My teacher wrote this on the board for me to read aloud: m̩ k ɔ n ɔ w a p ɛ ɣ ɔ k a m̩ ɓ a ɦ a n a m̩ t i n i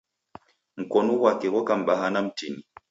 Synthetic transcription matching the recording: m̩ k ɔ n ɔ w a k ɛ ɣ ɔ k a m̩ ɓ a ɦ a n a m̩ t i n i